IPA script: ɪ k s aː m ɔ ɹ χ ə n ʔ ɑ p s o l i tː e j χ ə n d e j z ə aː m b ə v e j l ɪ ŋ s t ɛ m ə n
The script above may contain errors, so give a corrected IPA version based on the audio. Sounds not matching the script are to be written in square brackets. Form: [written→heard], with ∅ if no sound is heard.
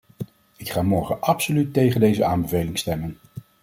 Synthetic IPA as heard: ɪ k [s→χ] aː m ɔ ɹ χ ə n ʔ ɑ p s o l [i→y] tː e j χ ə n d e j z ə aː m b ə v e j l ɪ ŋ s t ɛ m ə n